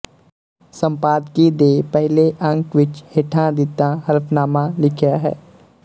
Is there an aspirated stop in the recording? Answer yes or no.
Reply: yes